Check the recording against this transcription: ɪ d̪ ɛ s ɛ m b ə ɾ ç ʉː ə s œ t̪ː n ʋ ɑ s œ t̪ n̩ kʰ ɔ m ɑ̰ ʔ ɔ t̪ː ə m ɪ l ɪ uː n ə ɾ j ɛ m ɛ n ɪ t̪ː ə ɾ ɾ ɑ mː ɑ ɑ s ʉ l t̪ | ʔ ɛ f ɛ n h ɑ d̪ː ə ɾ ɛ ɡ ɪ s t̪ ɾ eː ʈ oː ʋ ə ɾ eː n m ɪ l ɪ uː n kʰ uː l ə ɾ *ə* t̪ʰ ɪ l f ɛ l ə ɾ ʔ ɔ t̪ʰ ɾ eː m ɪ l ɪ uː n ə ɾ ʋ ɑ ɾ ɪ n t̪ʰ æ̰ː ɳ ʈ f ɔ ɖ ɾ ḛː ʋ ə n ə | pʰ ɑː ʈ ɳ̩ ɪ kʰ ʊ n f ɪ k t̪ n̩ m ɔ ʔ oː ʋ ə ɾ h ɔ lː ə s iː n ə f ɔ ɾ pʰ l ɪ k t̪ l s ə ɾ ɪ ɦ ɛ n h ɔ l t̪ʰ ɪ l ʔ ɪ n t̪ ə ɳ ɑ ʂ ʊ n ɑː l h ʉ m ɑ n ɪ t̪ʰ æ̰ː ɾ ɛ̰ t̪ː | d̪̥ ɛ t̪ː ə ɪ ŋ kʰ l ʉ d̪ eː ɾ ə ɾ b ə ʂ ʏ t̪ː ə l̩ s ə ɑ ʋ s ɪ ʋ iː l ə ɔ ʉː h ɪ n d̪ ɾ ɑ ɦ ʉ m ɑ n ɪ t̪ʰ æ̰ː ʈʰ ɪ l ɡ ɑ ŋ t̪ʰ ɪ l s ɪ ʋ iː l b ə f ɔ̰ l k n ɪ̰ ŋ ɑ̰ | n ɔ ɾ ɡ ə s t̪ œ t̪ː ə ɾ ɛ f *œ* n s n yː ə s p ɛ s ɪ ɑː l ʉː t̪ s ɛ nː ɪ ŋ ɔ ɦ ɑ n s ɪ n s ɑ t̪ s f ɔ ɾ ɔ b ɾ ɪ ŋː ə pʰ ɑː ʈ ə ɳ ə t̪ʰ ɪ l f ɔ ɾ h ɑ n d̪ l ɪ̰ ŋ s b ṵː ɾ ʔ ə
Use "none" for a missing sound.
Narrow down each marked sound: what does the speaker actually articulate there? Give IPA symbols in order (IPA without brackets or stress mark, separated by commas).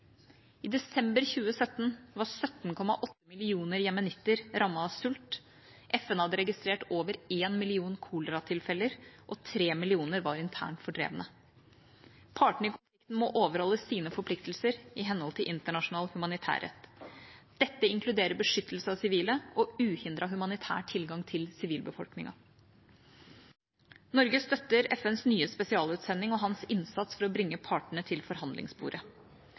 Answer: ɑ, ɛ